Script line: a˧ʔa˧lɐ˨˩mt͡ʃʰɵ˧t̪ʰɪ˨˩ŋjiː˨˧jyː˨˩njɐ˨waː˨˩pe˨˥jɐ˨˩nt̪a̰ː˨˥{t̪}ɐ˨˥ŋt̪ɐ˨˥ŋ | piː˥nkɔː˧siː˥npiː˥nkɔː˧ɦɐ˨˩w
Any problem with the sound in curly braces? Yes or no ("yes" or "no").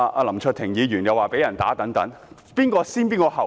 no